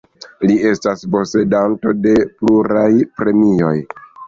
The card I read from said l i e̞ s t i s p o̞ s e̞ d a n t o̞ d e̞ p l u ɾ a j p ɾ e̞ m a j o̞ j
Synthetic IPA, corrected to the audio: l i e̞ s t a s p o̞ s e̞ d a n t o̞ d e̞ p l u ɾ a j p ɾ e̞ m i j o̞ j